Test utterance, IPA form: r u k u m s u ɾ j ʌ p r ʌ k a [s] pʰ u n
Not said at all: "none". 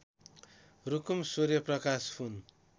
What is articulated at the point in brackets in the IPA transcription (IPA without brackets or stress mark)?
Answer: s